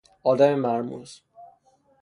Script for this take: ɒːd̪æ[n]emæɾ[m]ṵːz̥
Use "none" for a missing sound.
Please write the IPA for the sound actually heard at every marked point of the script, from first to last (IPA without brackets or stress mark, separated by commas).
m, m